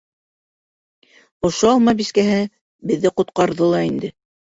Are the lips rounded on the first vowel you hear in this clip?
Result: yes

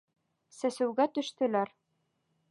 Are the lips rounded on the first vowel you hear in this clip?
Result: no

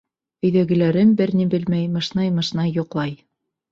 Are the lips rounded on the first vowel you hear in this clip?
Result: yes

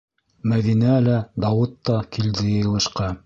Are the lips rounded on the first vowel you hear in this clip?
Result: no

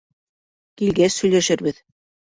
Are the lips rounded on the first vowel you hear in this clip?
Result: no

